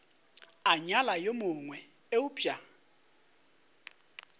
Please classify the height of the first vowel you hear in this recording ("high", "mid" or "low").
low